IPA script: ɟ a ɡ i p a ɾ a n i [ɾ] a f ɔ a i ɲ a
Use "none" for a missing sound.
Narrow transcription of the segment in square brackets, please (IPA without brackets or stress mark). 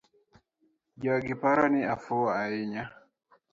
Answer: none